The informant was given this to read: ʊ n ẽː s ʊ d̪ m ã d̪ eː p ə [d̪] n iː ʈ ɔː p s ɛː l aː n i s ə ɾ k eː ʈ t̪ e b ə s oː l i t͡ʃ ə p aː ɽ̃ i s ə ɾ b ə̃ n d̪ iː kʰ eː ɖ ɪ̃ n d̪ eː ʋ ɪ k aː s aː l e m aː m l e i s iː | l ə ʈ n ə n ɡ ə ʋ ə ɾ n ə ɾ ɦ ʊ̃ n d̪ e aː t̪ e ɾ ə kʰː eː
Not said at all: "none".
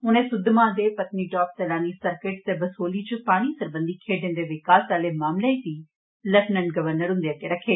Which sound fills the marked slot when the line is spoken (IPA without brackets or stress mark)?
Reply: t̪